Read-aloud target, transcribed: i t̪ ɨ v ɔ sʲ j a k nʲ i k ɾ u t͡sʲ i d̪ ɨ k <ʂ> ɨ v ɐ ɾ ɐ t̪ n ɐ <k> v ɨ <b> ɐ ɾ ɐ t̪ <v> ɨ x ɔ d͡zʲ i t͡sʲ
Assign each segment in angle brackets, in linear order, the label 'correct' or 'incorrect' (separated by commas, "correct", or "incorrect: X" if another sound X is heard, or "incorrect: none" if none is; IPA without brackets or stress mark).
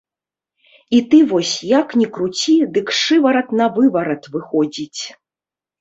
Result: correct, incorrect: none, incorrect: v, correct